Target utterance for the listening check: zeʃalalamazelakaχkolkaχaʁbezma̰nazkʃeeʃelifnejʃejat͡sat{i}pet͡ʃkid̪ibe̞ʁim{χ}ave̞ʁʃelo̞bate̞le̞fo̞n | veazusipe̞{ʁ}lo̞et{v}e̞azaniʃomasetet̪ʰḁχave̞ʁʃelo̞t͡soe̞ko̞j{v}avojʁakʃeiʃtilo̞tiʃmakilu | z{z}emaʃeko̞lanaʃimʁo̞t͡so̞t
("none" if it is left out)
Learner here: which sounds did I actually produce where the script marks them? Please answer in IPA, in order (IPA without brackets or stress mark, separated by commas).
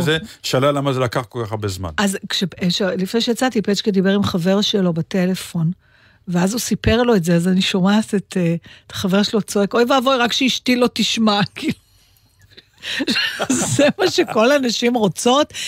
i, χ, ʁ, z, v, z